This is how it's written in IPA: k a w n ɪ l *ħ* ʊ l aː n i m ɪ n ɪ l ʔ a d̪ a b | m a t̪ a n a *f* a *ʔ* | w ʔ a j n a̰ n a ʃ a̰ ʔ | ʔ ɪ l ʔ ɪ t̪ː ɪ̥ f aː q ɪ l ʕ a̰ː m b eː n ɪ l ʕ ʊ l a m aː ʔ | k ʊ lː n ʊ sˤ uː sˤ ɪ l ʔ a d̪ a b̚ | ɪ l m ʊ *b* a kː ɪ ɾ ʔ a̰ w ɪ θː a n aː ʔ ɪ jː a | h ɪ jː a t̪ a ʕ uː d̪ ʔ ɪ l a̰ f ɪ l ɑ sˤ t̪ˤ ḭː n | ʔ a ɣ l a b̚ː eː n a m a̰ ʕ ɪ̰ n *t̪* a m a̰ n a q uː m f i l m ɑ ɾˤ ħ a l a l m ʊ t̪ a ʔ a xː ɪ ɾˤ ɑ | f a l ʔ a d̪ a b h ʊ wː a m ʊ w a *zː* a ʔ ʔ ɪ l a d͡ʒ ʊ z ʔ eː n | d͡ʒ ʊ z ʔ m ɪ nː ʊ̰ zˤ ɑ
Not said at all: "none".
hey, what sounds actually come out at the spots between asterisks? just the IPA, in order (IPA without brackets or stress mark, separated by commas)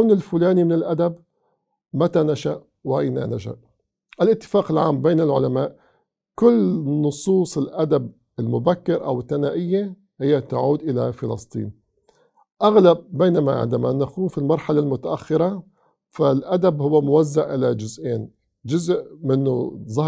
f, ʃ, ʔ, b, d̪, zː